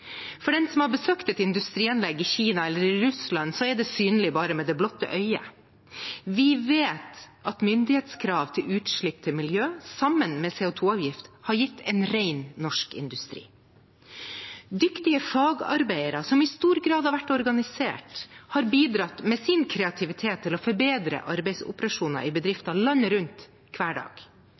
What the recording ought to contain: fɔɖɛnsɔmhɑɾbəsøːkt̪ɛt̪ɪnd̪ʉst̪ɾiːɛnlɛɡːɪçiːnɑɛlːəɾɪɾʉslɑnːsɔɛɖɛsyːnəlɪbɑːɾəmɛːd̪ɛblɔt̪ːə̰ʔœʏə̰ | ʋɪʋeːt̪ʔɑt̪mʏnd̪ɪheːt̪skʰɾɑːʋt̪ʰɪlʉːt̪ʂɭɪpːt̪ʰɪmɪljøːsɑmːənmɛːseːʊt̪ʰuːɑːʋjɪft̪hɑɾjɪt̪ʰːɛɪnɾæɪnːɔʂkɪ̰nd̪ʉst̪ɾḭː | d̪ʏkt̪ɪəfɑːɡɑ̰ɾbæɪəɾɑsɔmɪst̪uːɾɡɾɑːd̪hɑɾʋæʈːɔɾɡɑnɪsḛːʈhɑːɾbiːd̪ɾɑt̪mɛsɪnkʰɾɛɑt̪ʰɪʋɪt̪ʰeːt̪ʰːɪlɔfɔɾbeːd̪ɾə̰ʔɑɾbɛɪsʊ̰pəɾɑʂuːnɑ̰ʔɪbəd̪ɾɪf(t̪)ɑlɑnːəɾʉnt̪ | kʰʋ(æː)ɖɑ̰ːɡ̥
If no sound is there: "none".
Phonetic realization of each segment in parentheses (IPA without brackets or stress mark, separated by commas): t̪, æː